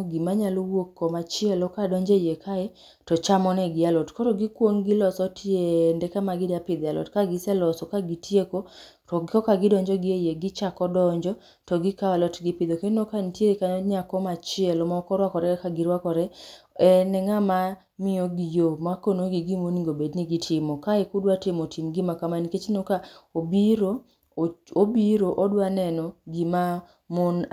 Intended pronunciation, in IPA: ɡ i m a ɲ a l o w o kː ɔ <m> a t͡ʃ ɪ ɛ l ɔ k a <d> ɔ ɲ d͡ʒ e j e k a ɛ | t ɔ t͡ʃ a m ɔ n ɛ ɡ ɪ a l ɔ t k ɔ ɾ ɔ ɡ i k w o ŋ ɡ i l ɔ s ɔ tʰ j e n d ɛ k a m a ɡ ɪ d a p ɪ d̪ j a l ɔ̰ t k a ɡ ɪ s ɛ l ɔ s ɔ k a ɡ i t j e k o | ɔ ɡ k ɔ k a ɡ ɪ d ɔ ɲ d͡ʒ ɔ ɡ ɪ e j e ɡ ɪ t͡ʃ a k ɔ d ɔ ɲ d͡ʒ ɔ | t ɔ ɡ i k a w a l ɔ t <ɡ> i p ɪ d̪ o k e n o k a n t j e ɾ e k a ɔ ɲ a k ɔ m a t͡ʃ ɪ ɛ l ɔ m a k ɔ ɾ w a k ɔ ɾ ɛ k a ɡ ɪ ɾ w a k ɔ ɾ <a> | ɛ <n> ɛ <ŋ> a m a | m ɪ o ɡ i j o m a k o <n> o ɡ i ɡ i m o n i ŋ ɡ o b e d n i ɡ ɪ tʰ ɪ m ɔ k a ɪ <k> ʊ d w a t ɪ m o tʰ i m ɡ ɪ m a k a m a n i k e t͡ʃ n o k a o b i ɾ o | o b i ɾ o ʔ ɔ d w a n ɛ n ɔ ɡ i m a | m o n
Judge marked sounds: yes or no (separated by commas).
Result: yes, yes, yes, no, yes, yes, yes, yes